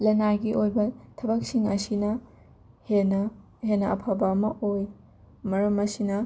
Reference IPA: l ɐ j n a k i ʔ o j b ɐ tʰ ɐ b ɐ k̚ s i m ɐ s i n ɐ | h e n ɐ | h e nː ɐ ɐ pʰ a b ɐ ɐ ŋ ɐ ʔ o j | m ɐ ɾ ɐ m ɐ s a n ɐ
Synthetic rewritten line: l ɐ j n a ɡ i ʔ o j b ɐ tʰ ɐ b ɐ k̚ s i ŋ ɐ s i n ɐ | h e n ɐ | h e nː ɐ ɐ pʰ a b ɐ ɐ m ɐ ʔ o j | m ɐ ɾ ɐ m ɐ s i n ɐ